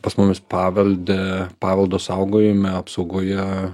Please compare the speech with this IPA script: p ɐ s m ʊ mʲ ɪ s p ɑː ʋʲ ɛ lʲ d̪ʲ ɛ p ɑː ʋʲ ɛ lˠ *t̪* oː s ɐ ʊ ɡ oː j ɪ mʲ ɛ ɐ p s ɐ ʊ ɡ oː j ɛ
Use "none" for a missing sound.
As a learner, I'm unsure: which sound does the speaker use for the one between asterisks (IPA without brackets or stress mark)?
d̪